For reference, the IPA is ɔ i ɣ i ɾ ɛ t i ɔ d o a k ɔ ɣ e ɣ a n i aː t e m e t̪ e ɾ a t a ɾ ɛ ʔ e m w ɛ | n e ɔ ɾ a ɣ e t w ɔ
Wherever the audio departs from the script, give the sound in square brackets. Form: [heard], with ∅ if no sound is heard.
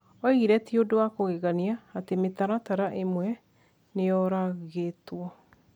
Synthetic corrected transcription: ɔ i ɣ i ɾ ɛ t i [o] d o a k [o] ɣ e ɣ a n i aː t e m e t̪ [a] ɾ a t a ɾ [a] ʔ e m w ɛ | n e ɔ ɾ a ɣ e t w ɔ